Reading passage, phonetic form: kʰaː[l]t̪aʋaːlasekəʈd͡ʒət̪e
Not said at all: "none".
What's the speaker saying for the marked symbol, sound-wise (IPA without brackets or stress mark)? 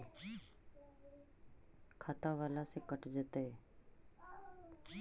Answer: none